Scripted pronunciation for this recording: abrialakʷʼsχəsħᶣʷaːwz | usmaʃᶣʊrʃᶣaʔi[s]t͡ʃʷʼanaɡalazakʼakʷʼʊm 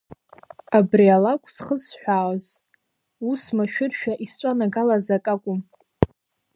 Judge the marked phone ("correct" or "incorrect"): correct